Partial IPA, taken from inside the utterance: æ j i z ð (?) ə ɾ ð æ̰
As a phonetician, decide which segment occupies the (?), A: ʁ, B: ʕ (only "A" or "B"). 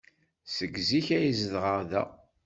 A